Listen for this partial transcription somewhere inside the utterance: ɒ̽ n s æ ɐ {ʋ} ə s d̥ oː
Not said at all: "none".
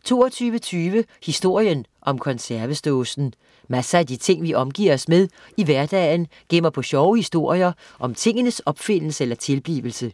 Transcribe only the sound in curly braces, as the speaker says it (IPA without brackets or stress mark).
ʋ